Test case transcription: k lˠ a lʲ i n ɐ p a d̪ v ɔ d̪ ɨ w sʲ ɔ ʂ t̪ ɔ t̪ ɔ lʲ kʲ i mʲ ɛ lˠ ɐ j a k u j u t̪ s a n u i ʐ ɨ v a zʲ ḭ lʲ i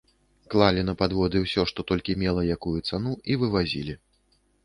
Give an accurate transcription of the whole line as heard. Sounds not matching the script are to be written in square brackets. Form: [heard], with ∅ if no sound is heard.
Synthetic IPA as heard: k lˠ a lʲ i n ɐ p a d̪ v ɔ d̪ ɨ w sʲ ɔ ʂ t̪ ɔ t̪ ɔ lʲ kʲ i mʲ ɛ lˠ ɐ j a k u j u t̪ s a n u i [v] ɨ v a zʲ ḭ lʲ i